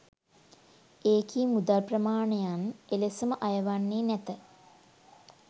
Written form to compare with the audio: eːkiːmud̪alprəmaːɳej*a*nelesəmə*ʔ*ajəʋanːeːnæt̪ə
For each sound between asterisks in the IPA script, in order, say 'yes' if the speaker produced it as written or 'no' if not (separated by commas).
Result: yes, yes